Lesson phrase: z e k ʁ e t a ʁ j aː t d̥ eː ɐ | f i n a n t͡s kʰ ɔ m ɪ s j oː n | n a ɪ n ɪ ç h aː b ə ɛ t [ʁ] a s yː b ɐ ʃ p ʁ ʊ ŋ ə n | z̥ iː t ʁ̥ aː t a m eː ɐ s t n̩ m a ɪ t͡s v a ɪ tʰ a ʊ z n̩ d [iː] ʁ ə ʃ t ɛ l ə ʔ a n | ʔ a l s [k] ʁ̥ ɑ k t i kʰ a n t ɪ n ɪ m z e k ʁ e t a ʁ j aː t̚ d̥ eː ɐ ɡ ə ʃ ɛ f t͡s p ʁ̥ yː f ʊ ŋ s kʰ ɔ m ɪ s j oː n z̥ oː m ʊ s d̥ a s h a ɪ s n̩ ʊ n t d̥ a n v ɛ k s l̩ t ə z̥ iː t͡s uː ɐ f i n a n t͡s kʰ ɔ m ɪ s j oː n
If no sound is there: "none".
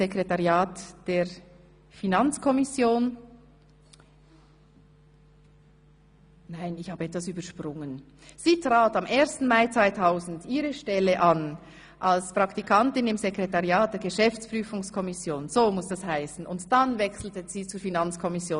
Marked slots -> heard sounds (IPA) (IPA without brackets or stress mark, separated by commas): v, iː, p